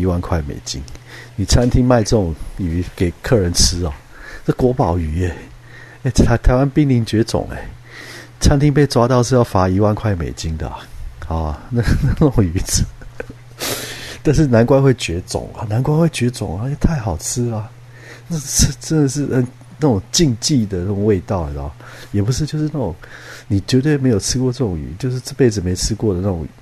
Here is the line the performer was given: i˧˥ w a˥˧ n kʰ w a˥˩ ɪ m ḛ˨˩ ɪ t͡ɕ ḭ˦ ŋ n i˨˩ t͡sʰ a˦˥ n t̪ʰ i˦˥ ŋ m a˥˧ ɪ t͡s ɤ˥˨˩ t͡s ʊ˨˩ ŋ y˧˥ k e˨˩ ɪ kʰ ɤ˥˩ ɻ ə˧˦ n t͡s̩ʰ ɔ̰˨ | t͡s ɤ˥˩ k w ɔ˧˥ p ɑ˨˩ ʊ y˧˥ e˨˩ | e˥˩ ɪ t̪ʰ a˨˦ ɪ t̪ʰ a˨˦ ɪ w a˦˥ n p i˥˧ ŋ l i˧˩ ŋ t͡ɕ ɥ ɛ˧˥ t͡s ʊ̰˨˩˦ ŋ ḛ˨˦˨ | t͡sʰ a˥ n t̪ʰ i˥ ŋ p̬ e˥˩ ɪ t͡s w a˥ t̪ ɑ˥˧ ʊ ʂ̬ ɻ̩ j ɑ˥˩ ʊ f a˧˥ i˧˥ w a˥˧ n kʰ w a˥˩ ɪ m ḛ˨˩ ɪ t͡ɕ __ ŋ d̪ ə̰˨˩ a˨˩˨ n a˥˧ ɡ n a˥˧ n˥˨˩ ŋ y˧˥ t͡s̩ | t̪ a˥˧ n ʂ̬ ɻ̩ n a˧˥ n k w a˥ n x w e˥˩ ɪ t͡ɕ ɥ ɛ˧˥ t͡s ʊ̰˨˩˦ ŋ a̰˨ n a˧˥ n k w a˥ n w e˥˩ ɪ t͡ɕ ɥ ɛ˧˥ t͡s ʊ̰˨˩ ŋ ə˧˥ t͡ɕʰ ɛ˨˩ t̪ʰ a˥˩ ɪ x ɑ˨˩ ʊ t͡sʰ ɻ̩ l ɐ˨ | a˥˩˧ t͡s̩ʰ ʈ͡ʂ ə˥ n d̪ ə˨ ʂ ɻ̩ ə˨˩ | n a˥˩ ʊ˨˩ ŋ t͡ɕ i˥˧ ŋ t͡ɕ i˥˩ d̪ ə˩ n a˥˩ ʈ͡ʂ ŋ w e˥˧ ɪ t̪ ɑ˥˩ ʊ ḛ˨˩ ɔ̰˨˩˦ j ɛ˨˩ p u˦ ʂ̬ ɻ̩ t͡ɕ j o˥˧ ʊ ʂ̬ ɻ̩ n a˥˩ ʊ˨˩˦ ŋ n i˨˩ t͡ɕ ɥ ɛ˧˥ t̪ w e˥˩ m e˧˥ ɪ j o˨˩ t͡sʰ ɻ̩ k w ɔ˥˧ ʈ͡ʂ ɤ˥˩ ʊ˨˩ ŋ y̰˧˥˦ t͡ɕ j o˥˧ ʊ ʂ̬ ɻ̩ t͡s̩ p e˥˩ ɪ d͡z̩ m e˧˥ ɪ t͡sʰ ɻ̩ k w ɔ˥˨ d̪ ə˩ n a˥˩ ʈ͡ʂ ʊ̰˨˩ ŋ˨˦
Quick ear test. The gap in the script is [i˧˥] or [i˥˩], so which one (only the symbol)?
i˧˥